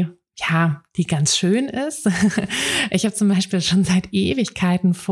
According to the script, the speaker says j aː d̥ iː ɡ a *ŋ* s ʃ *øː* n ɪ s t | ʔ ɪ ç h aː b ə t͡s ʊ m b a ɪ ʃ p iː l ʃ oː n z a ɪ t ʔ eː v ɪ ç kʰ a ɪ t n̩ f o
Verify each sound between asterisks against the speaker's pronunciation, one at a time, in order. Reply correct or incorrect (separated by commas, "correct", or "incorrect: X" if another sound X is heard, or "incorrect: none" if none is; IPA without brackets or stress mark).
incorrect: n, correct